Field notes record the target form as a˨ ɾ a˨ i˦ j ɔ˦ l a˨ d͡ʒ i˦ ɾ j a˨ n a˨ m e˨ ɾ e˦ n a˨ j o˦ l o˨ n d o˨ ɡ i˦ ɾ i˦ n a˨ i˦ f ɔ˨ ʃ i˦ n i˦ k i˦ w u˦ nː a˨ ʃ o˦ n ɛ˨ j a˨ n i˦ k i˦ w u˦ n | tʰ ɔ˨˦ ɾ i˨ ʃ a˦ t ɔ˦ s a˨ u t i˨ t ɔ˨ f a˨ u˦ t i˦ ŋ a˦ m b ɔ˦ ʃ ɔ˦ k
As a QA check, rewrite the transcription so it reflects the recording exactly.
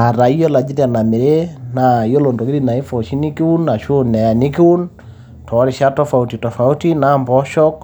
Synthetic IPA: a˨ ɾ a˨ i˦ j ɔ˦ l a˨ d͡ʒ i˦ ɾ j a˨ n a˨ m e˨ ɾ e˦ n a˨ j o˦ l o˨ n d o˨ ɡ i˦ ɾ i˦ n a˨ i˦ f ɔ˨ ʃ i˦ n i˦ k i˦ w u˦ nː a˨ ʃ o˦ n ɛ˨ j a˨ n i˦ k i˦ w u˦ n | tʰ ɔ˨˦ ɾ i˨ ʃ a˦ t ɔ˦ f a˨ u t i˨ t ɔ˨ f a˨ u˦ t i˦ n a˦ m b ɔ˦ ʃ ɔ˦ k